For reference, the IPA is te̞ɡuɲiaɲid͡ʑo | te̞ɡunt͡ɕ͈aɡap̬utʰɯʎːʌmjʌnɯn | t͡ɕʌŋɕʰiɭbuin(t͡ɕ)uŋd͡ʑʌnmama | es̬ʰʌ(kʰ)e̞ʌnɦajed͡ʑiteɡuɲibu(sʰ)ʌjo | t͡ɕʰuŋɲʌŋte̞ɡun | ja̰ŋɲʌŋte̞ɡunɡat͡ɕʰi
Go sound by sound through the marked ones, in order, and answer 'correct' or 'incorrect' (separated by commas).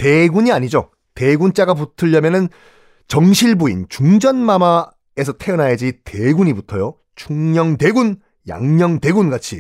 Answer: correct, incorrect, incorrect